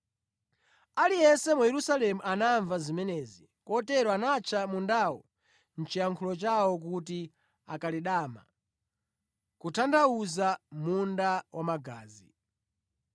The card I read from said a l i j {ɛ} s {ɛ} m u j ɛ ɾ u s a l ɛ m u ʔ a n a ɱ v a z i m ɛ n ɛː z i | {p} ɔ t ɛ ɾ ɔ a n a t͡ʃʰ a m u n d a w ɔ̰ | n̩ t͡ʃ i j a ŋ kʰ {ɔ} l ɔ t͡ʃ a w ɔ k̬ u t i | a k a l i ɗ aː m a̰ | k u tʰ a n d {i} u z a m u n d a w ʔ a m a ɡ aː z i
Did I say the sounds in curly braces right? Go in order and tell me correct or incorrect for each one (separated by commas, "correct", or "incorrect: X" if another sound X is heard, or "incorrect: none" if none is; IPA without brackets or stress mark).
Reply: correct, correct, incorrect: k, incorrect: u, incorrect: a